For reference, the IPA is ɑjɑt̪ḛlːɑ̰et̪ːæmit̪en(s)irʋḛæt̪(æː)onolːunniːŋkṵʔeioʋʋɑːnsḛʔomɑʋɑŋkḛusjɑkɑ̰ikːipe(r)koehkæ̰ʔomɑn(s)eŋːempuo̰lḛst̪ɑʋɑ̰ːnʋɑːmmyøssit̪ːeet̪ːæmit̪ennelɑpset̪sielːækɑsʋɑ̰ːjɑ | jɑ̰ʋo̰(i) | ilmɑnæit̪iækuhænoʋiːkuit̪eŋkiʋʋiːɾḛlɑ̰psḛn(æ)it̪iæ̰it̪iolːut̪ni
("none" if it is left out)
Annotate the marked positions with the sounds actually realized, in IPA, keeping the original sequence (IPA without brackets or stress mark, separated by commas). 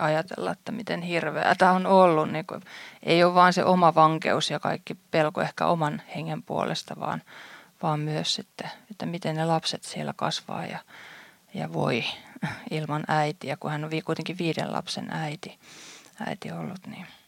h, æ, l, h, i, æ